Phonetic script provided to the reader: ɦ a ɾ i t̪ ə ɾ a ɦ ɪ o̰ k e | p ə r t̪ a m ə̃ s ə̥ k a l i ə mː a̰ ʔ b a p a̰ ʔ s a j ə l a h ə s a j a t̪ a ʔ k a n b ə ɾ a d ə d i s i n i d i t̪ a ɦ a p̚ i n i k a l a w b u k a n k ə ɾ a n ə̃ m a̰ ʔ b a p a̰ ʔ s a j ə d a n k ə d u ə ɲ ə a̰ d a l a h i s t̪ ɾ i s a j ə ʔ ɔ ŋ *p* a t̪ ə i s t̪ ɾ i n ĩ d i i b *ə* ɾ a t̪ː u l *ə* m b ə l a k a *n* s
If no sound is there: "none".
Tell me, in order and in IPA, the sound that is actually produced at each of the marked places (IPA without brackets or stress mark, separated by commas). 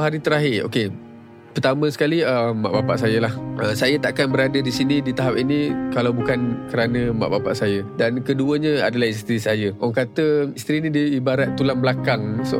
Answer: k, a, a, ŋ